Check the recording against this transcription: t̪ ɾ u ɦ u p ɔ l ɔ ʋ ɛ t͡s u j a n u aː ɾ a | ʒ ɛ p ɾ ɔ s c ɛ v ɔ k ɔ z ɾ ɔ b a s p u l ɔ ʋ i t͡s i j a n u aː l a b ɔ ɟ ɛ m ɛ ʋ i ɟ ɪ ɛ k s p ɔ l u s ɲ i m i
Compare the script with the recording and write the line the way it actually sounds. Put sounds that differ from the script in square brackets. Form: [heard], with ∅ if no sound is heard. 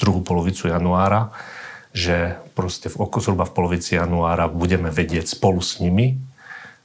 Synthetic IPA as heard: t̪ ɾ u ɦ u p ɔ l ɔ ʋ [i] t͡s u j a n u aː ɾ a | ʒ ɛ p ɾ ɔ s c ɛ v ɔ k ɔ z ɾ [u] b a [f] p [ɔ] l ɔ ʋ i t͡s i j a n u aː [ɾ] a b [u] ɟ ɛ m ɛ ʋ [ɛ] ɟ ɪ ɛ [c] s p ɔ l u s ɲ i m i